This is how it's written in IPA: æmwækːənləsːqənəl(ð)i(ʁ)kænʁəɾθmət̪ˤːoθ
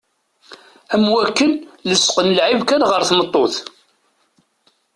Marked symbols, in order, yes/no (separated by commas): no, no